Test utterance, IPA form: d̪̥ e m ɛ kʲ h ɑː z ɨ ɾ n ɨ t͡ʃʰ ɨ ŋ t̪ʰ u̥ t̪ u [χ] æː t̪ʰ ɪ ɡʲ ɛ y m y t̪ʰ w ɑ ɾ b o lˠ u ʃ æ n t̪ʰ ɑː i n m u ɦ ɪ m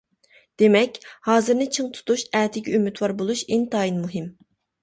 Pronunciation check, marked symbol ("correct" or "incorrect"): incorrect